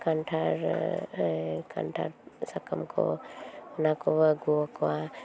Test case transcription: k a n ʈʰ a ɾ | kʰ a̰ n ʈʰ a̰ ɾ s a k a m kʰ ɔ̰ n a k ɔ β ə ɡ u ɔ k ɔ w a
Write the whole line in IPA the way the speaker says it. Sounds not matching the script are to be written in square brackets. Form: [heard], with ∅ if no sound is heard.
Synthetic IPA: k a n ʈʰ a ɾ | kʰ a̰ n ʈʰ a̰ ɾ s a k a m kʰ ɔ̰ n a k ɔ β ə ɡ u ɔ k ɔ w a